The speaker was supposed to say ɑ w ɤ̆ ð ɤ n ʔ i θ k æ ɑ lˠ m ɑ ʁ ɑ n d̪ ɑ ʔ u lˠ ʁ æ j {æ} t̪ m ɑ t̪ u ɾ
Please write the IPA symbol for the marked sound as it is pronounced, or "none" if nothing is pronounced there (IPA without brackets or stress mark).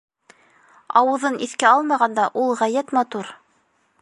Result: æ